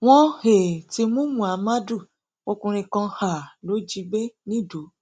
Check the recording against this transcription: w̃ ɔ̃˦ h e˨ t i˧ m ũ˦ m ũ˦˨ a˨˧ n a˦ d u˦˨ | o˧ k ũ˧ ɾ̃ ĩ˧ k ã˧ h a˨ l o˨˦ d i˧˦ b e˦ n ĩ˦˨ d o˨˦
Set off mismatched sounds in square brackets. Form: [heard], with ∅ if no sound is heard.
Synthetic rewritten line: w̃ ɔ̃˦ h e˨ t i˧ m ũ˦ m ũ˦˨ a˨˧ [m] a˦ d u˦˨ | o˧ k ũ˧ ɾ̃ ĩ˧ k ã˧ h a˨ l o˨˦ [d͡ʒ] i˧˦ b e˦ n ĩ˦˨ d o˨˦

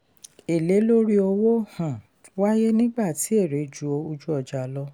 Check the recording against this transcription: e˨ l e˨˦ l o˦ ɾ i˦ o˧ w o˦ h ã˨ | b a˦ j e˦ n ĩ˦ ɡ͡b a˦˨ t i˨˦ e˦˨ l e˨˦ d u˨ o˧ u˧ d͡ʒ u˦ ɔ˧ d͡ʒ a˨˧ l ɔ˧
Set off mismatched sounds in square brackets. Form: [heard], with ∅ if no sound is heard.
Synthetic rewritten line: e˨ l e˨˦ l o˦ ɾ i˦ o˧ w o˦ h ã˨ | [w] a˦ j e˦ n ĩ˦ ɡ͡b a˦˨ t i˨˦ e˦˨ [ɾ] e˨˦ [d͡ʒ] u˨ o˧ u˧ d͡ʒ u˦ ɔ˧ d͡ʒ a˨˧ l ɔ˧

